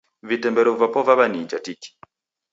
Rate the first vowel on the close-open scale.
close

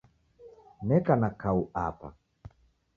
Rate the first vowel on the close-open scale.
mid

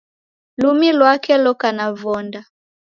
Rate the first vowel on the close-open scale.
close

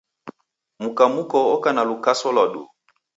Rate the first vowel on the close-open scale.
close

